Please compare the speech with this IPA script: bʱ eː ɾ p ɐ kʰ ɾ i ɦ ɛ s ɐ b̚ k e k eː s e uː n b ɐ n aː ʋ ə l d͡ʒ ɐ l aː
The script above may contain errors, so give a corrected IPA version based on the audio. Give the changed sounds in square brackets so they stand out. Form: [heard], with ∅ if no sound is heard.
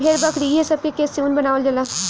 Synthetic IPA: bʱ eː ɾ [b] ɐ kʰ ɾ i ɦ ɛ s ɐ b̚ k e k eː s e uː n b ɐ n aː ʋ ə l d͡ʒ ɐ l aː